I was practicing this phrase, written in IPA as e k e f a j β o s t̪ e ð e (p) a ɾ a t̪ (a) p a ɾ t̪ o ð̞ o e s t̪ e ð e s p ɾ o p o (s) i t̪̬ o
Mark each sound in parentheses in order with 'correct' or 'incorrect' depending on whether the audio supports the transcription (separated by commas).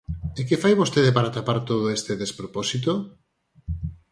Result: correct, correct, correct